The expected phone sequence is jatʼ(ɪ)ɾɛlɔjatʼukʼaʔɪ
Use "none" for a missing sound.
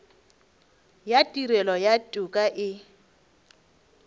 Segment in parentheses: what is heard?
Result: i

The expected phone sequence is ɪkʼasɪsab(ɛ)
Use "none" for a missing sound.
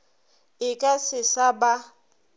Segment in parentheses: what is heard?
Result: a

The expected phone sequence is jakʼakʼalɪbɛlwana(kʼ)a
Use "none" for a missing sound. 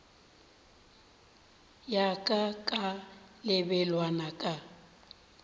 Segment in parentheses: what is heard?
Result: kʼ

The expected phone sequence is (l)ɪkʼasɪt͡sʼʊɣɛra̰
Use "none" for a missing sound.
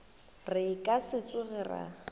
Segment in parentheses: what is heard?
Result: r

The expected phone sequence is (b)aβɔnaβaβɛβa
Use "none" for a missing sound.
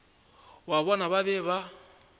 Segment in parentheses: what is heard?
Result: w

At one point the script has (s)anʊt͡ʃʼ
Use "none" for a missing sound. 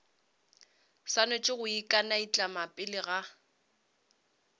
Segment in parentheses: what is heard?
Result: s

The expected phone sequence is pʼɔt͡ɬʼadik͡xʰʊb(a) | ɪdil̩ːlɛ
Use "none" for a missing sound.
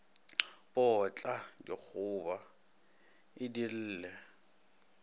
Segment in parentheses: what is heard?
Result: a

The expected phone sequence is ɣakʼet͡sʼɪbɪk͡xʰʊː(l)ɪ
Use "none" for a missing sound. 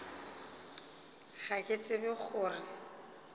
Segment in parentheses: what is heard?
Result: r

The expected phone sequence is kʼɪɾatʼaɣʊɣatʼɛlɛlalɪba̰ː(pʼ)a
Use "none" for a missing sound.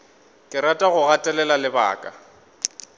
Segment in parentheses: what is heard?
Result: kʼ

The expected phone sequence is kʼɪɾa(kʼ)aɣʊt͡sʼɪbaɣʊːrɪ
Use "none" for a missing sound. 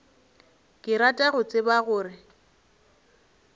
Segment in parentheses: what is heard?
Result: tʼ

